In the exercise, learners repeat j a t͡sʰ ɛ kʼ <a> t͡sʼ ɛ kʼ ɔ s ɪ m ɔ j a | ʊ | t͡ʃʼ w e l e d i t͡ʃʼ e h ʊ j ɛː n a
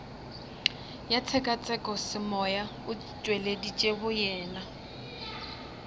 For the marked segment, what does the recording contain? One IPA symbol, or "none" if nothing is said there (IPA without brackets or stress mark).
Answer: a